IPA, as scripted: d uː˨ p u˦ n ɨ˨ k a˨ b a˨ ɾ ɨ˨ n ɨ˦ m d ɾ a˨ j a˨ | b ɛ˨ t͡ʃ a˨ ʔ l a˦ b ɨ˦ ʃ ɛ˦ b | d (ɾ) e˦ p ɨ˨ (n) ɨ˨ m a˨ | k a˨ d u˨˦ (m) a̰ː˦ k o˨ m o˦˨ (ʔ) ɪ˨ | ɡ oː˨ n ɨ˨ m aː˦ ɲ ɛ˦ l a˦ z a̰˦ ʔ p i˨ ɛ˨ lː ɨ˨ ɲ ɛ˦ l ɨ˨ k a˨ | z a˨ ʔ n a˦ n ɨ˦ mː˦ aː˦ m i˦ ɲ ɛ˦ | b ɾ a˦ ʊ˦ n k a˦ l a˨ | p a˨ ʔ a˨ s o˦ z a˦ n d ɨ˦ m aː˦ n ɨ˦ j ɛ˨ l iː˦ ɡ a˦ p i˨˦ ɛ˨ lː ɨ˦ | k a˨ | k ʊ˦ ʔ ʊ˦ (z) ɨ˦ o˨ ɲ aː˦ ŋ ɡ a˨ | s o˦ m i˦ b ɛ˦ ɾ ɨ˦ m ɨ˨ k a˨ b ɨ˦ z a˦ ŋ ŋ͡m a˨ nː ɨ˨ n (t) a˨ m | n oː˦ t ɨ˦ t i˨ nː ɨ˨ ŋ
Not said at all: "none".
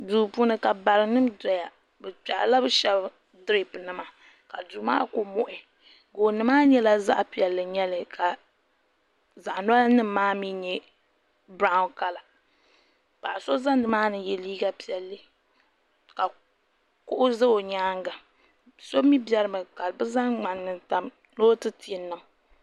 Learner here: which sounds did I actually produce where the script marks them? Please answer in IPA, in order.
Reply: ɾ, n, m, ʔ, z, t

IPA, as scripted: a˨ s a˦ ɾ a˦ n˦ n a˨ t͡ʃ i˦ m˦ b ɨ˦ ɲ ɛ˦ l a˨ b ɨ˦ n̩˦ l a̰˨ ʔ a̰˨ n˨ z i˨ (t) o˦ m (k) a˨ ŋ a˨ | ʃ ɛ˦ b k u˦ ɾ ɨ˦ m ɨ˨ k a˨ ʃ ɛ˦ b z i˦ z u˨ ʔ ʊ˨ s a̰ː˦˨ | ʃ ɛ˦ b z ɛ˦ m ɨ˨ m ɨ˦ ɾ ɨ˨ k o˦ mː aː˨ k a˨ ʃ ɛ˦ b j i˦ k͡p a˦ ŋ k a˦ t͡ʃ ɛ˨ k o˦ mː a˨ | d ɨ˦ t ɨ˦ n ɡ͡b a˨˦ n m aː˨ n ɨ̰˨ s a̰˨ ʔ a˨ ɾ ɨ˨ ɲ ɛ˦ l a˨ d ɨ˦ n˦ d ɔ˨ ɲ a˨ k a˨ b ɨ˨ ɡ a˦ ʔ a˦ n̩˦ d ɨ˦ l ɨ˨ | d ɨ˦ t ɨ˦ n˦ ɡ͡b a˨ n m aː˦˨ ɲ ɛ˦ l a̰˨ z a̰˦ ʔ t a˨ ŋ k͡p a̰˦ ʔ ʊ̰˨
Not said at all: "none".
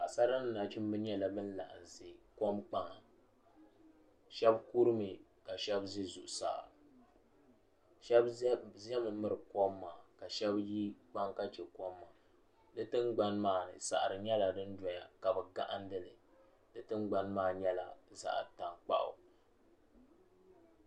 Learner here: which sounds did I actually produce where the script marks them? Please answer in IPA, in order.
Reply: k, k͡p

